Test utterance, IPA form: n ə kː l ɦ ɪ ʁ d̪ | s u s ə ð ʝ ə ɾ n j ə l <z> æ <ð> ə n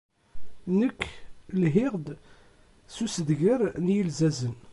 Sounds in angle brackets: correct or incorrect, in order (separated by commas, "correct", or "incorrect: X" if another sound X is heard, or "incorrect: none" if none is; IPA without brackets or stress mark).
correct, incorrect: z